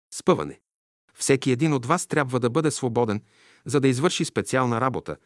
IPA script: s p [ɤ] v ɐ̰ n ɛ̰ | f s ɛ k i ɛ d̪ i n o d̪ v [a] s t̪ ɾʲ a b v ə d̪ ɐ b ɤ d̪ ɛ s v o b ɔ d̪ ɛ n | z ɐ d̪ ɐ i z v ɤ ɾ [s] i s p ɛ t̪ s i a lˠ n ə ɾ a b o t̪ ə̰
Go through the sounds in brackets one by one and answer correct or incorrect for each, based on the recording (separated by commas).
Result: correct, correct, incorrect